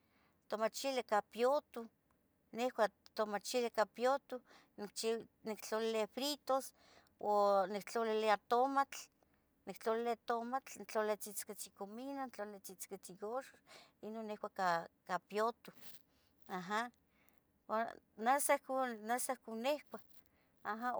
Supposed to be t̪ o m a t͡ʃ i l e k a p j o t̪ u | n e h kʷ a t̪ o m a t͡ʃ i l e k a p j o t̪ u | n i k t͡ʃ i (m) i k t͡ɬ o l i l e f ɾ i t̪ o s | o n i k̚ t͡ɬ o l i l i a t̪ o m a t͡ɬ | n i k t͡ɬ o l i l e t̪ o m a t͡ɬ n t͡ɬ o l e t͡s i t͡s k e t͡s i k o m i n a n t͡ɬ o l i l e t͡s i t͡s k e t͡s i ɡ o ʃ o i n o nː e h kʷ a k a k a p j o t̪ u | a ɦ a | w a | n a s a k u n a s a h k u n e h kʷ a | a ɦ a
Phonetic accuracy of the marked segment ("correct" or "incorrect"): incorrect